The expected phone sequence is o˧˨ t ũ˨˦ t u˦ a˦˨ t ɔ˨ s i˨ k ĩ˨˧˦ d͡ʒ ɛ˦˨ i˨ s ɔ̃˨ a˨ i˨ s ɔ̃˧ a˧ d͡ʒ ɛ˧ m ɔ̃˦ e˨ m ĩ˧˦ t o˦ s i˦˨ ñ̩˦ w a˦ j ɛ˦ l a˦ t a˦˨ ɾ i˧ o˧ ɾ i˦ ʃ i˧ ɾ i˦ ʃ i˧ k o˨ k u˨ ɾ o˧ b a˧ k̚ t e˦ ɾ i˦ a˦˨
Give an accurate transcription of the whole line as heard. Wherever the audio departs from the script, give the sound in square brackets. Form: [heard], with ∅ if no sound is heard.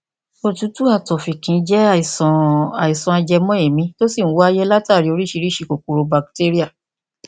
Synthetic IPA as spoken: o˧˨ t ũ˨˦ t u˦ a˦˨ t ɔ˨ [f] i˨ k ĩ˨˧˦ d͡ʒ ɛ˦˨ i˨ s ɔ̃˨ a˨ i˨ s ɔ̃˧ a˧ d͡ʒ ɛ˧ m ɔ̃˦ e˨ m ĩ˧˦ t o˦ s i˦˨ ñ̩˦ w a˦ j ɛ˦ l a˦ t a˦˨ ɾ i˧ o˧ ɾ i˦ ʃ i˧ ɾ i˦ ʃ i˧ k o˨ k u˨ ɾ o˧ b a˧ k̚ t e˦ ɾ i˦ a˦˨